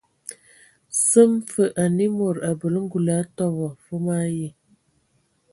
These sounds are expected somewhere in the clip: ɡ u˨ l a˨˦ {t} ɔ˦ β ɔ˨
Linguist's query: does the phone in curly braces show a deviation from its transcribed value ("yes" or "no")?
no